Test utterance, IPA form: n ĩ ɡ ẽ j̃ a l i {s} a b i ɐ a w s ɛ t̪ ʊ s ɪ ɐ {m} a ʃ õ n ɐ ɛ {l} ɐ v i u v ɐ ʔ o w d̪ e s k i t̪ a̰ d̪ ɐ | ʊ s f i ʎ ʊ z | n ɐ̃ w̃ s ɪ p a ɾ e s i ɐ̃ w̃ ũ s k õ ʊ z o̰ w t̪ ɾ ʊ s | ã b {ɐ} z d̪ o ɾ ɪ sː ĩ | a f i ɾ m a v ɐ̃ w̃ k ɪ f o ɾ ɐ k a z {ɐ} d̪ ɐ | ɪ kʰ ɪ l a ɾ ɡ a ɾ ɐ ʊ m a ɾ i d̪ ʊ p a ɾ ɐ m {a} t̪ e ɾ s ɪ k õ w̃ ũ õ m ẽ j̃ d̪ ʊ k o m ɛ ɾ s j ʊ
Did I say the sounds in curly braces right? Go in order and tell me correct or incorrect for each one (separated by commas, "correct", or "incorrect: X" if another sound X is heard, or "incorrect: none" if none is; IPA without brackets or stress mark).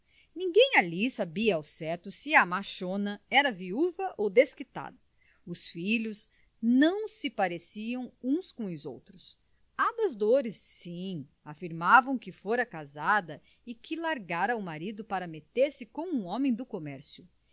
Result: correct, correct, incorrect: ɾ, correct, incorrect: a, incorrect: e